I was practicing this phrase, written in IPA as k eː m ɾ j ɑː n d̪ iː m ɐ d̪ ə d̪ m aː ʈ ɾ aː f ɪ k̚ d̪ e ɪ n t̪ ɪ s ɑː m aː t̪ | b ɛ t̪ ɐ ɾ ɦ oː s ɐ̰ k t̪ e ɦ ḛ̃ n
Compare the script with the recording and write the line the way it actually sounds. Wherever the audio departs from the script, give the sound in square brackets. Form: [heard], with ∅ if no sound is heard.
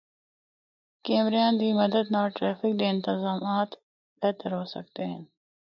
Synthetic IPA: k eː m ɾ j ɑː n d̪ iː m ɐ d̪ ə d̪ [n] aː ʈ ɾ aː f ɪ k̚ d̪ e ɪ n t̪ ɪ [z] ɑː m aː t̪ | b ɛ t̪ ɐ ɾ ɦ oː s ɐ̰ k t̪ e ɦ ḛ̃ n